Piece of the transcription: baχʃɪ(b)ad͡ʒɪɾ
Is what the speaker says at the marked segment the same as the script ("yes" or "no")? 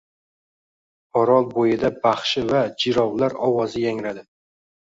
no